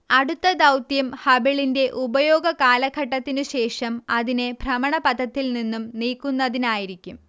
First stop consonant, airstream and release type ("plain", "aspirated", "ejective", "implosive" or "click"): plain